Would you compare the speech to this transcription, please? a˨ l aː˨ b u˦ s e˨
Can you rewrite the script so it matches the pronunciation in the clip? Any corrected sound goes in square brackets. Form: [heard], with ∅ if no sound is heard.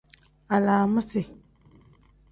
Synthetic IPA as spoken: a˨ l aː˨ [m] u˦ s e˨